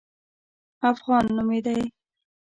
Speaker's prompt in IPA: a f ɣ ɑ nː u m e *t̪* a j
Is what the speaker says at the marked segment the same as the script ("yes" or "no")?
no